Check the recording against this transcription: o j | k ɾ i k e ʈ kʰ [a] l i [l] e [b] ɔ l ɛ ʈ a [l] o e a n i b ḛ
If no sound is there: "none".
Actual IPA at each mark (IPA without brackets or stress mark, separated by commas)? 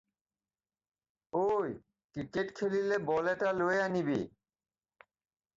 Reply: e, l, b, l